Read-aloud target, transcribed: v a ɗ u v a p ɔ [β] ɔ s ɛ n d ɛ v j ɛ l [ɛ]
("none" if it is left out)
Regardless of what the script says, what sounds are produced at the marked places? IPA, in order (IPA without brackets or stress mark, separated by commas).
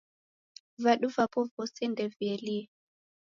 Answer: v, i